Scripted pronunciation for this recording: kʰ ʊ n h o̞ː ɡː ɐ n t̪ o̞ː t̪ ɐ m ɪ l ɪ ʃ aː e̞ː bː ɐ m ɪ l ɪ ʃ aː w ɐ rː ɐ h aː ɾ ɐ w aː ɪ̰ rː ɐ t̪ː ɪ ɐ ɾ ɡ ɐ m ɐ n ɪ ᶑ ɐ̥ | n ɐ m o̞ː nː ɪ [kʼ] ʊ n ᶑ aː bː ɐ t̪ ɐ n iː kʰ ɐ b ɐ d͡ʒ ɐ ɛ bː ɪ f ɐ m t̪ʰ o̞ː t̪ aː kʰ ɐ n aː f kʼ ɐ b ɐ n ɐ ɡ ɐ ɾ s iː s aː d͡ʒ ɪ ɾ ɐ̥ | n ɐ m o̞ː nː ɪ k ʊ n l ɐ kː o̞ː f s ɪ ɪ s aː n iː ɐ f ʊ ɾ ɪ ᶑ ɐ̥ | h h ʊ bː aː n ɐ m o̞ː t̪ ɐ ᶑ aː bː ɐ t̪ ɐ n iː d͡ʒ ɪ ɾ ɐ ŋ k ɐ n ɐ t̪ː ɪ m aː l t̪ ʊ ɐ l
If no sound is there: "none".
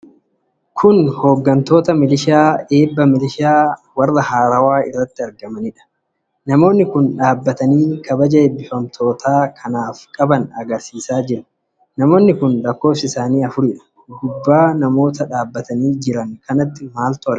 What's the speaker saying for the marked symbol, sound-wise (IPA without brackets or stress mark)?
k